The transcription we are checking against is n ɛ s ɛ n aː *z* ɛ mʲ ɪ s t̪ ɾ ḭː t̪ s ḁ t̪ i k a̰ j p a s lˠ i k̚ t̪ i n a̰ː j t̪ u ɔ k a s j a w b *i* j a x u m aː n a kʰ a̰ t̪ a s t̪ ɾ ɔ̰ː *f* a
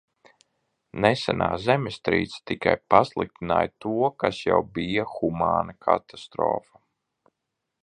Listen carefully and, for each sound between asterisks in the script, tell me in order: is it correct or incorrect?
correct, correct, correct

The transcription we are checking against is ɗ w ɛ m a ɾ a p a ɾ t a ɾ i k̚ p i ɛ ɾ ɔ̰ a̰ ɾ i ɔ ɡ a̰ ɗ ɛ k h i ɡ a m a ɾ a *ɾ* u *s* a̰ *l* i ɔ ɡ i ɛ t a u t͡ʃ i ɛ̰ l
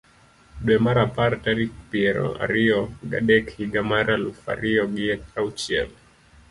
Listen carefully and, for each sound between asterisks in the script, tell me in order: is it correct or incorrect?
incorrect, incorrect, incorrect

